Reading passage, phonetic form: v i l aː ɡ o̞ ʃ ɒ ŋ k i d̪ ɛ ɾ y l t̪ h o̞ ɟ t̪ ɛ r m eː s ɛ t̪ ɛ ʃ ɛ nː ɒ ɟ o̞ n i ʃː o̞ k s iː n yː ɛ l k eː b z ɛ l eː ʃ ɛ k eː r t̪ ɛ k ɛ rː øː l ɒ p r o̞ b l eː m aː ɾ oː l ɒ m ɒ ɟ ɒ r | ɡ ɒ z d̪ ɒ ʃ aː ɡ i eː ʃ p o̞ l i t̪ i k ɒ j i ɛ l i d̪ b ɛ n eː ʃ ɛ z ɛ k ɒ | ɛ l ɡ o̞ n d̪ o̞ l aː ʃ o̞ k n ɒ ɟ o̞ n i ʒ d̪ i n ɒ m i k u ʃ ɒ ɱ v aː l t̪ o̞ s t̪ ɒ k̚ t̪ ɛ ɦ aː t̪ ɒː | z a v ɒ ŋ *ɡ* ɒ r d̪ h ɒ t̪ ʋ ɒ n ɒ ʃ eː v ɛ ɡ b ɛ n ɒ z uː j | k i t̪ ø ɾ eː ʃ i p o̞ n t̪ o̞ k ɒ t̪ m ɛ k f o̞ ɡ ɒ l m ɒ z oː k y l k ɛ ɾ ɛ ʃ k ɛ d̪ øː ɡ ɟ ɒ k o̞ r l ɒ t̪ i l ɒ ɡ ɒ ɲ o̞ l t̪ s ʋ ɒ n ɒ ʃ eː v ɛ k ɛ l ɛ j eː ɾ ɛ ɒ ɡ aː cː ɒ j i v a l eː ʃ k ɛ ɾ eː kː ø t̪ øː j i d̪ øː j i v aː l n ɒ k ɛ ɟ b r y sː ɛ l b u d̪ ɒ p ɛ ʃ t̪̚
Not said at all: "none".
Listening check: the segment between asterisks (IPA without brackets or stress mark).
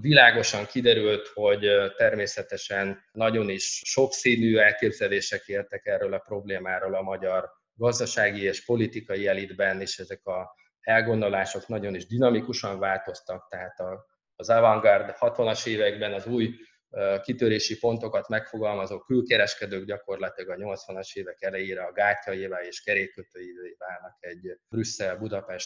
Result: ɡ